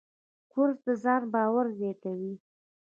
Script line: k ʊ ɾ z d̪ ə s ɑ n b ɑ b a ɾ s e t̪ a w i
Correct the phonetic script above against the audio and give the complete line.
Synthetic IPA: k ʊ ɾ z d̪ ə z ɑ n b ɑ w a ɾ z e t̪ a w i